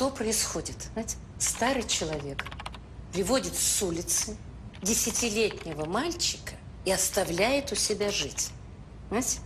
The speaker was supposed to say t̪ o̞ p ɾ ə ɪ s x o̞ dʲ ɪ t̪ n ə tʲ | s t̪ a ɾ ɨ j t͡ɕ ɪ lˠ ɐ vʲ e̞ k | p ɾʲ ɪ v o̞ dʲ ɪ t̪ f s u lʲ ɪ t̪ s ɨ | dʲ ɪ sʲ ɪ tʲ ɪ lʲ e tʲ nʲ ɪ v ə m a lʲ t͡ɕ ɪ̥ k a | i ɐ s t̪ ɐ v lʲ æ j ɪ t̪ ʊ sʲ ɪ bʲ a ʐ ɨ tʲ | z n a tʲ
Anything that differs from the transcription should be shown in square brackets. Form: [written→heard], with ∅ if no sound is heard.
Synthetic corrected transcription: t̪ o̞ p ɾ ə ɪ s x o̞ dʲ ɪ t̪ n [ə→a] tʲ | s t̪ a ɾ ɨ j t͡ɕ ɪ lˠ ɐ vʲ e̞ k | p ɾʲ ɪ v o̞ dʲ ɪ t̪ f s u lʲ ɪ t̪ s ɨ | dʲ ɪ sʲ ɪ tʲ ɪ lʲ e tʲ nʲ ɪ v ə m a lʲ t͡ɕ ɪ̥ k [a→ə] | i ɐ s t̪ ɐ v lʲ æ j ɪ t̪ ʊ sʲ ɪ bʲ a ʐ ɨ tʲ | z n a tʲ